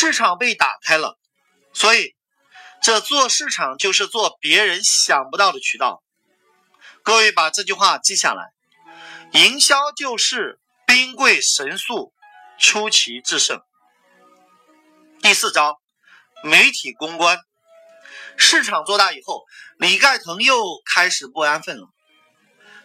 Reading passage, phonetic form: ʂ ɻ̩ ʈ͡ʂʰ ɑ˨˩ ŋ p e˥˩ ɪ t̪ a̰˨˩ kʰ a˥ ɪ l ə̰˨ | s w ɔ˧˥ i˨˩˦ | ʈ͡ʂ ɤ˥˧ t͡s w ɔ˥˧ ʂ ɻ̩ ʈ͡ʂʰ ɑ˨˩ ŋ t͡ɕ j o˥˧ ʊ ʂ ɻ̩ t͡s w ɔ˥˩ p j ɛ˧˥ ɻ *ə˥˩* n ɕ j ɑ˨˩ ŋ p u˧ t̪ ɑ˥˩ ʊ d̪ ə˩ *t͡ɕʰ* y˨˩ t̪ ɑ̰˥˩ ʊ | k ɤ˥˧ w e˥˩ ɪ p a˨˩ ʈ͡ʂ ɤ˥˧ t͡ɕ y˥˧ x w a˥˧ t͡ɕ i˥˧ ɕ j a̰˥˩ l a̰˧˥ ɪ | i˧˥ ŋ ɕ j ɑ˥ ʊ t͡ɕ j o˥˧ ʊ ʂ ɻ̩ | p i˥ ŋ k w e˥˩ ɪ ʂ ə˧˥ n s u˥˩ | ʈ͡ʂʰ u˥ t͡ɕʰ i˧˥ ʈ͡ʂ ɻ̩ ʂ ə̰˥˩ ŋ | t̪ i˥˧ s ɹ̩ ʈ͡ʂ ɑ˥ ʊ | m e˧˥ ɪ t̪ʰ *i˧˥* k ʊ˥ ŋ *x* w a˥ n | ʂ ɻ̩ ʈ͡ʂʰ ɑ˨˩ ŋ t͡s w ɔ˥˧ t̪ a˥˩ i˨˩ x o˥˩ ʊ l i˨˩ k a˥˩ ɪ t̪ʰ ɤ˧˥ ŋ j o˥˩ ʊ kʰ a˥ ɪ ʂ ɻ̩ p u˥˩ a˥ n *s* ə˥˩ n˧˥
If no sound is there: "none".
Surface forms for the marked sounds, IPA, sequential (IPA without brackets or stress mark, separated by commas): ə˧˥, t͡ɕʰ, i˨˩, k, f